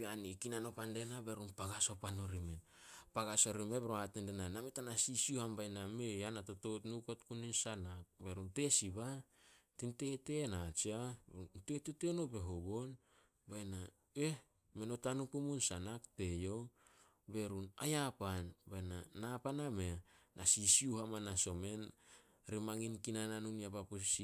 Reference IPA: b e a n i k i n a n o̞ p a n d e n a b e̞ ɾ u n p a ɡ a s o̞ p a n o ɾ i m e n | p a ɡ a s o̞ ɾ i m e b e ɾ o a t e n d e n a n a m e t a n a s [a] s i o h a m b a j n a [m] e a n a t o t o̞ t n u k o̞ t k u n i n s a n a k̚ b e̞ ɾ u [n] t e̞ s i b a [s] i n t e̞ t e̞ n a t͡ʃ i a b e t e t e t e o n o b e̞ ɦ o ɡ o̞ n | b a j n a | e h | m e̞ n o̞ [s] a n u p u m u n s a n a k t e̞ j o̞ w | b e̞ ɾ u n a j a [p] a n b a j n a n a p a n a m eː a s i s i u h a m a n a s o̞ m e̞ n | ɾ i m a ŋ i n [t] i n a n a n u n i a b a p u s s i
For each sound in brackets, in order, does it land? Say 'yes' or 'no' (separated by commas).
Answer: no, yes, yes, no, no, yes, no